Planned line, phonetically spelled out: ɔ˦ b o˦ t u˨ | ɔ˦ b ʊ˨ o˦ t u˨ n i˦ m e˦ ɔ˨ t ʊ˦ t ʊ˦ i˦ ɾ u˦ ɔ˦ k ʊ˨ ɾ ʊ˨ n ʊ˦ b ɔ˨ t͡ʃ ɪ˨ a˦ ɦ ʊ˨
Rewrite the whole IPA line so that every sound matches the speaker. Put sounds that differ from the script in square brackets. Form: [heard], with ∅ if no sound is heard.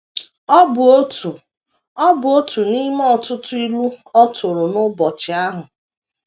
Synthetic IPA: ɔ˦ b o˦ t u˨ | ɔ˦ b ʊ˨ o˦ t u˨ n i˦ m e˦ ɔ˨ t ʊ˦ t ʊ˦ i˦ [l] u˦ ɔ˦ [t] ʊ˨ ɾ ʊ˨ n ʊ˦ b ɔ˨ t͡ʃ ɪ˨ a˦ ɦ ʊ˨